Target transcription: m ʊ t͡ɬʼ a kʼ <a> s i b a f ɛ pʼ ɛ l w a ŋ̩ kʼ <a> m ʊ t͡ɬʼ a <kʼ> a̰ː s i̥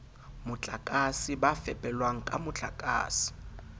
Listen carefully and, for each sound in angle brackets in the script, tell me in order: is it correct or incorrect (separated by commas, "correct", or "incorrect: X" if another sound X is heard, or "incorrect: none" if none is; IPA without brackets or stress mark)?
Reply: correct, correct, correct